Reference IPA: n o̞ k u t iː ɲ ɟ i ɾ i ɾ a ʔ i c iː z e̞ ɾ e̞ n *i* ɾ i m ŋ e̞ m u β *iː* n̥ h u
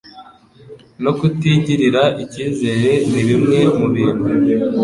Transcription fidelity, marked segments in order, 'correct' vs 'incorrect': correct, correct

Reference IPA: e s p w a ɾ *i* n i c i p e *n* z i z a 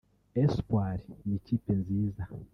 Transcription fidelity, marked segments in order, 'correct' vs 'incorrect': correct, correct

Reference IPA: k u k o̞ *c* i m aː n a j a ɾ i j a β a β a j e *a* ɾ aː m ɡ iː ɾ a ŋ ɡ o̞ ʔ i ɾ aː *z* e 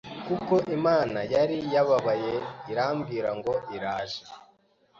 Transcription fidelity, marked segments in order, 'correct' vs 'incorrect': incorrect: ʔ, incorrect: i, incorrect: ʒ

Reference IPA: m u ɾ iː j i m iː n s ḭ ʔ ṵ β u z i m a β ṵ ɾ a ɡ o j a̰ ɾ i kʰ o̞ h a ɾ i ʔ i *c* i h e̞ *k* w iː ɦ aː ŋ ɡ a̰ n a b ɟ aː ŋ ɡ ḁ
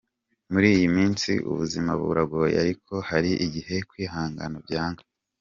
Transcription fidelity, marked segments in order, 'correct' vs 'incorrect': incorrect: ɟ, correct

